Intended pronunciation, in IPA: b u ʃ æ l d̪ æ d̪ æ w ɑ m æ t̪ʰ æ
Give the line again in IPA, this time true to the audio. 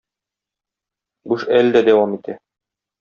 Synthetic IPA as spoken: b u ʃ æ l d̪ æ d̪ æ w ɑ m i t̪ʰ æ